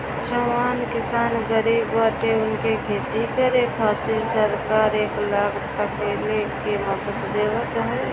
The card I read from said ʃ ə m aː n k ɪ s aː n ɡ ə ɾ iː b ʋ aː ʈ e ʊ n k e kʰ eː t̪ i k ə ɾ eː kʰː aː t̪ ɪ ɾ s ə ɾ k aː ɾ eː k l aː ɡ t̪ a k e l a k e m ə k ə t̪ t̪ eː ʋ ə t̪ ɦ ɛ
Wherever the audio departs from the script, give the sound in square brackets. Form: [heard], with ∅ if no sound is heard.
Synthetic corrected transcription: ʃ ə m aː n k ɪ s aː n ɡ ə ɾ iː b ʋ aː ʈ e ʊ n k e kʰ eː t̪ i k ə ɾ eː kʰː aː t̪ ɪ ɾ s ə ɾ k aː ɾ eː k l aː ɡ t̪ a k e l [e] k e m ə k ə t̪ [d̪] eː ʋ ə t̪ ɦ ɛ